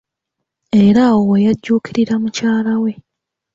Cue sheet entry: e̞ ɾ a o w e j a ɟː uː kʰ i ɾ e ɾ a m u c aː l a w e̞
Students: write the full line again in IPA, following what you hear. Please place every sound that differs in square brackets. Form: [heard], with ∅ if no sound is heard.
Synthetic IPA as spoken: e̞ ɾ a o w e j a ɟː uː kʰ i ɾ [i] ɾ a m u c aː l a w e̞